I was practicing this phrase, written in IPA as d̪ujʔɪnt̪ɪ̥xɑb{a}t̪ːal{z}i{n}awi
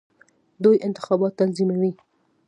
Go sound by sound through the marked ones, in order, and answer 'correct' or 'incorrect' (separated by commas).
incorrect, correct, incorrect